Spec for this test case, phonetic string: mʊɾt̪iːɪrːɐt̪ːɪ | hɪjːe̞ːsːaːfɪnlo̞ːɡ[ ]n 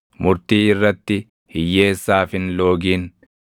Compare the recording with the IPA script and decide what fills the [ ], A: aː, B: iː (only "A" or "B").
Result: B